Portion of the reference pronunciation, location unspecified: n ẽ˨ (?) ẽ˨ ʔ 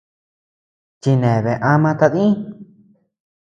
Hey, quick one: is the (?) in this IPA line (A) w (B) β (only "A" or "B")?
B